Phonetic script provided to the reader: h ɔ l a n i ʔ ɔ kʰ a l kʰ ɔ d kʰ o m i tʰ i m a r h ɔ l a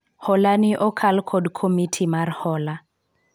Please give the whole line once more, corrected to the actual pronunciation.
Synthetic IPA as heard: h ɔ l a n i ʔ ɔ kʰ a l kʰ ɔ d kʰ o m i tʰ i m a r h ɔ l a